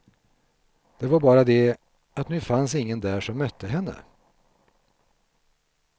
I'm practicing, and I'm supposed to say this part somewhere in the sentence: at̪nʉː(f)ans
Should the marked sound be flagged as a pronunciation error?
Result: no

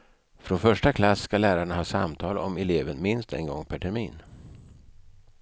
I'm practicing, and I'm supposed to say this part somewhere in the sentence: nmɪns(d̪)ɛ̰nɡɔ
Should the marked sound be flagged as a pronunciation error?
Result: yes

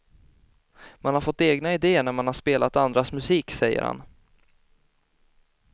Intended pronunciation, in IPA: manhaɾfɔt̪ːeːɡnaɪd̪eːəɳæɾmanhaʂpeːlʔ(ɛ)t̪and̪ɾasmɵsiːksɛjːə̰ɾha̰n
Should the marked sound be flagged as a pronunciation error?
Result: yes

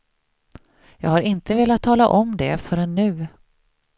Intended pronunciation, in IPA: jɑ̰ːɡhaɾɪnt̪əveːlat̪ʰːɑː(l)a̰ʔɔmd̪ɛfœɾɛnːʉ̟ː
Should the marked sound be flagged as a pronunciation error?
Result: no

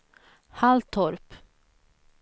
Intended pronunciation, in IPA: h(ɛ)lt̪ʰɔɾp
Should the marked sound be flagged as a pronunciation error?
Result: yes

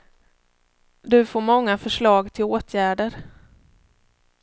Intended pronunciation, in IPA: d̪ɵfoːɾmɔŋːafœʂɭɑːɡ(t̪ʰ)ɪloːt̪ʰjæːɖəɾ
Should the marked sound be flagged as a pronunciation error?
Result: no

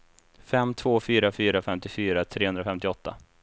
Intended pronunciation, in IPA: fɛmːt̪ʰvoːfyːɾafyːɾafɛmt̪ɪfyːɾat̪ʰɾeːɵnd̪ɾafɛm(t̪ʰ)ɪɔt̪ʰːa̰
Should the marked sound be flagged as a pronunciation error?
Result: yes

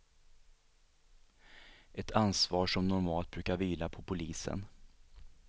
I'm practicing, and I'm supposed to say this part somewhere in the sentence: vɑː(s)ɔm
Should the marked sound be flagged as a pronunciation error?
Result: yes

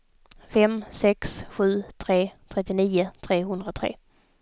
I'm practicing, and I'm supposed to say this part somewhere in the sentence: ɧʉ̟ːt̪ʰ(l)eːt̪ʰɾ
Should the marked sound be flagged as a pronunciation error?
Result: yes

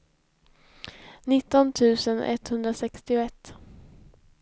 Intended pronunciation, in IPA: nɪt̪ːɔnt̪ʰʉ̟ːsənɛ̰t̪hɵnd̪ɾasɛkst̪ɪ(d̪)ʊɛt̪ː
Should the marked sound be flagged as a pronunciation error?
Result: yes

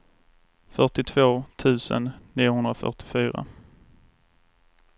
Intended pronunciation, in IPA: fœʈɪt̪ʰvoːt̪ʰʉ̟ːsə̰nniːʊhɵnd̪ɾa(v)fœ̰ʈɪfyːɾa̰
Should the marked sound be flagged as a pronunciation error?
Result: yes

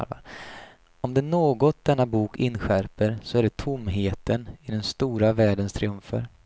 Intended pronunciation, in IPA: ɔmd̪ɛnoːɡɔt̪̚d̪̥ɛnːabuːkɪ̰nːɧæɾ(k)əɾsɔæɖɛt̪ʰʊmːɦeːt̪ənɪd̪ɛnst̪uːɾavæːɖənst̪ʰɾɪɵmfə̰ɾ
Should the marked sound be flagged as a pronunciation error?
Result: yes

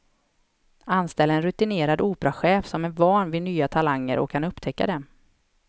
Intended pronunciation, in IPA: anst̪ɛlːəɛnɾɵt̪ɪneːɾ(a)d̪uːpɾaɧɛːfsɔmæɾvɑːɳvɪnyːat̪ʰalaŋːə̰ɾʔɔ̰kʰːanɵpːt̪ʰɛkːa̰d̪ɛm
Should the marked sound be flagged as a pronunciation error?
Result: no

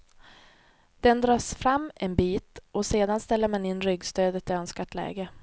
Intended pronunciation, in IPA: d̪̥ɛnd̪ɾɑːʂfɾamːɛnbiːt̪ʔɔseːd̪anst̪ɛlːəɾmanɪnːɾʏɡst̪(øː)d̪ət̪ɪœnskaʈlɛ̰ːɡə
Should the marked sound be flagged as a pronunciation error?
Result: no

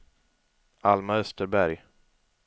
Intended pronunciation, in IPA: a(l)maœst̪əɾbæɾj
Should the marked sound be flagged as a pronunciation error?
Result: no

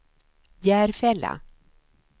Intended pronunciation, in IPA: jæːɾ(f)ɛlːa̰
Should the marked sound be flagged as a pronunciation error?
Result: no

